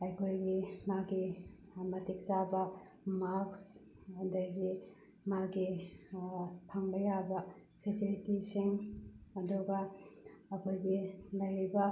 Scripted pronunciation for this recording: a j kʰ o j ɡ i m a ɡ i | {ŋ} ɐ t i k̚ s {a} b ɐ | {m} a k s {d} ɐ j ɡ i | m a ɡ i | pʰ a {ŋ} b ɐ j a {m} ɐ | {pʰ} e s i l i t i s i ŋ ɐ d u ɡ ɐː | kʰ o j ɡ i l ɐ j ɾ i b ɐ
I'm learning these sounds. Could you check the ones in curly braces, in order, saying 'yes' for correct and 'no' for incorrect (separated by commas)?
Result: no, yes, yes, yes, yes, no, yes